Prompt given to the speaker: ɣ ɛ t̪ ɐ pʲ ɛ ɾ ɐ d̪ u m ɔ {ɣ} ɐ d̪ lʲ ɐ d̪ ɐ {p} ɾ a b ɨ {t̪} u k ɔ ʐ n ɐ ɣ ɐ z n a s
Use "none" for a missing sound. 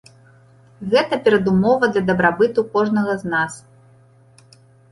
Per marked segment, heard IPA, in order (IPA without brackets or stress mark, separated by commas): v, b, t̪